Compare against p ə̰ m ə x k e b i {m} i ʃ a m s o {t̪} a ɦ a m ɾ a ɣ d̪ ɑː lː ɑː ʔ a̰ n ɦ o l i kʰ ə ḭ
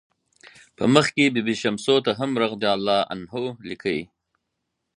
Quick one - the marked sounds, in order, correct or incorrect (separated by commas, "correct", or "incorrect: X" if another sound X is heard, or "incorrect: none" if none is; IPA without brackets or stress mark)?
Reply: incorrect: b, correct